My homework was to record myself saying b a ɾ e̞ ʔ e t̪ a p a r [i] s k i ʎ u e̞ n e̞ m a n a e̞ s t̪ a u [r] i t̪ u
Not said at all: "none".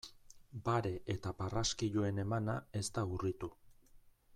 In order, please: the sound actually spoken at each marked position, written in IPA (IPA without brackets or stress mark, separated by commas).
a, r